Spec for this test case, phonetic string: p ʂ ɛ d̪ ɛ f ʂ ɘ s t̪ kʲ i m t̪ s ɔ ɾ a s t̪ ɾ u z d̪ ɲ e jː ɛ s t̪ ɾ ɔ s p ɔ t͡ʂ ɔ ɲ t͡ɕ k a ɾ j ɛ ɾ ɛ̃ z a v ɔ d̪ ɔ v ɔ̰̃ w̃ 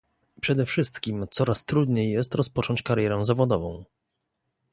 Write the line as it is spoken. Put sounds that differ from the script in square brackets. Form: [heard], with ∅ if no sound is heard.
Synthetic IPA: p ʂ ɛ d̪ ɛ f ʂ ɘ s t̪ kʲ i m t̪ s ɔ ɾ a s t̪ ɾ u [∅] d̪ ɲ e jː ɛ s t̪ ɾ ɔ s p ɔ t͡ʂ ɔ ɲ t͡ɕ k a ɾ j ɛ ɾ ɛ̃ z a v ɔ d̪ ɔ v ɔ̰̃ w̃